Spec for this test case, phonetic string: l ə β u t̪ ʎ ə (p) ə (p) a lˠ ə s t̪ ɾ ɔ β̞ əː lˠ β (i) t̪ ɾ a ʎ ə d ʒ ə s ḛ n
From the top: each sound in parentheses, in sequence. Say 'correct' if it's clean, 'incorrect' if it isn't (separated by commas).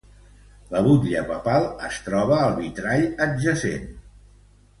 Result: correct, correct, correct